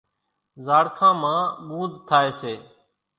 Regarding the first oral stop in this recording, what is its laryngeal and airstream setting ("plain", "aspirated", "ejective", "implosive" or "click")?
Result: aspirated